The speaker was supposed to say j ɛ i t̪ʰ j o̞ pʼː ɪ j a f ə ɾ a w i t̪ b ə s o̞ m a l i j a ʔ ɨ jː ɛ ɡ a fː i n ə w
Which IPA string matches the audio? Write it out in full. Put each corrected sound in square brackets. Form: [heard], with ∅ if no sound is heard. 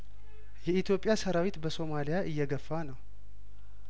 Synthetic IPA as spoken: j ɛ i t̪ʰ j o̞ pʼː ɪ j a [s] ə ɾ a w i t̪ b ə s o̞ m a l i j a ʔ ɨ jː ɛ ɡ [ə] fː [a] n ə w